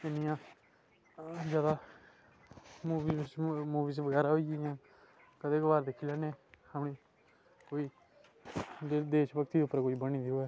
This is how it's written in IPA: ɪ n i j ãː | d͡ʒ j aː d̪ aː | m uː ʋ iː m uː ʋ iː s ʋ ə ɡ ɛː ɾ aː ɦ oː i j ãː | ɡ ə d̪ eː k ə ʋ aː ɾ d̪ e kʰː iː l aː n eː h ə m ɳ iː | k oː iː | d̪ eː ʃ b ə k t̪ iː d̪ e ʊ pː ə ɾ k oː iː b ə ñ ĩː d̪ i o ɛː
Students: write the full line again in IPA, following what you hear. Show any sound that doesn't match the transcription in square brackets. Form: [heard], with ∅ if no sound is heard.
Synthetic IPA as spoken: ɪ n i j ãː | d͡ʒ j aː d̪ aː | m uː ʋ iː m uː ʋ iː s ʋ ə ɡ ɛː ɾ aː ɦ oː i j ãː | [k] ə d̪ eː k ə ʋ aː ɾ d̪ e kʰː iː l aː n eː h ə m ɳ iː | k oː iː | d̪ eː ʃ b ə k t̪ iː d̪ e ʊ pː ə ɾ k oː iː b ə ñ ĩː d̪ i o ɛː